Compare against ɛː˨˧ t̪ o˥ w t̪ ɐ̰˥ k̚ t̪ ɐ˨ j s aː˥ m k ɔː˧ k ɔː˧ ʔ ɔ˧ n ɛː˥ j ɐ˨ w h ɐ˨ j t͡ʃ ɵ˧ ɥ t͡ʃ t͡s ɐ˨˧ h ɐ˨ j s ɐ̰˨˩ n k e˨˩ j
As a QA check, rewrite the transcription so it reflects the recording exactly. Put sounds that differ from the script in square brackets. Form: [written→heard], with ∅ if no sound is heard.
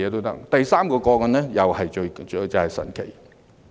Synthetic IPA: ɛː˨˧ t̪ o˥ w t̪ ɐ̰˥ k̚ t̪ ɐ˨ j s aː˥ m k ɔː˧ k ɔː˧ [ʔ→k] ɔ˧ n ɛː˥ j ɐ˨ w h ɐ˨ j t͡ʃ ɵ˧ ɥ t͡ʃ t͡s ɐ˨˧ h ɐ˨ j s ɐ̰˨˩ n [k→kʰ] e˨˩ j